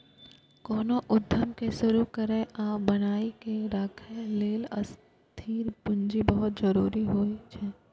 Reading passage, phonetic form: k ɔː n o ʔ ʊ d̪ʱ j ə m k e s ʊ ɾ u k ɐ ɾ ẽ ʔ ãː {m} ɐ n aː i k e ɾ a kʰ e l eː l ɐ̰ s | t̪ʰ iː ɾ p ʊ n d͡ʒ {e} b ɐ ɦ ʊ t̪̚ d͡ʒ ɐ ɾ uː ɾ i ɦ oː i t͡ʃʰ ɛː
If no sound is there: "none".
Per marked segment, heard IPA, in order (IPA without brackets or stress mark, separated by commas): b, i